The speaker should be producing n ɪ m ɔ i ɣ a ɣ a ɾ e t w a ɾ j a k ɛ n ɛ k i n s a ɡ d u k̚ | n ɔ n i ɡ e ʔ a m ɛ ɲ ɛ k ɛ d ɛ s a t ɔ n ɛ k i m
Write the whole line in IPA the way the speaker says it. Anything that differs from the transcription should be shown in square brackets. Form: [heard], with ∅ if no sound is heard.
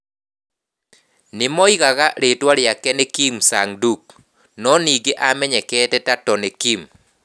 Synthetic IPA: n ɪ m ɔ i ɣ a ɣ a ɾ e t w a ɾ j a k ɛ n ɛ k i [m] s a [ŋ] d u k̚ | n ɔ n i ɡ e ʔ a m ɛ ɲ ɛ k ɛ [t] ɛ [t] a t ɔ n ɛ k i m